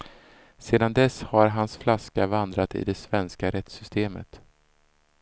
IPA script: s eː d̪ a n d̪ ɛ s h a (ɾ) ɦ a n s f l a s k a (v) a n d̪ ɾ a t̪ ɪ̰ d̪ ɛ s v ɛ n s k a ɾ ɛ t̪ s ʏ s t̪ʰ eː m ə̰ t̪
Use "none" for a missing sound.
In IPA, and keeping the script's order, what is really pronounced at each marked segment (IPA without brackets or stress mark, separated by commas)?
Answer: ɾ, v